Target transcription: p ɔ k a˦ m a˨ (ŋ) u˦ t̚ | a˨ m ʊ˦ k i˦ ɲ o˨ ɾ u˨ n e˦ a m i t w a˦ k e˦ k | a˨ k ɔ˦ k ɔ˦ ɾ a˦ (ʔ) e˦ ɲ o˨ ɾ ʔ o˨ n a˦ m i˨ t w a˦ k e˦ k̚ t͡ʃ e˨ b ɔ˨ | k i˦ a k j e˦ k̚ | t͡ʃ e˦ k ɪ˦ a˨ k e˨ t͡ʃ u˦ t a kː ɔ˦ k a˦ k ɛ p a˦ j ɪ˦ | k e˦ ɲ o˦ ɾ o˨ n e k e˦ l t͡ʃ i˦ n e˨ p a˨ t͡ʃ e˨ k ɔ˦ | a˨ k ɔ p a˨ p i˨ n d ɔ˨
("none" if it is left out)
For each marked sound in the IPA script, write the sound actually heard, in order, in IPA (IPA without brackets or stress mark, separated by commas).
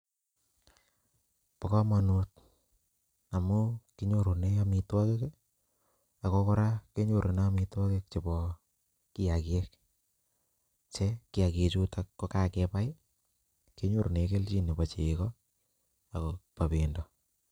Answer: n, k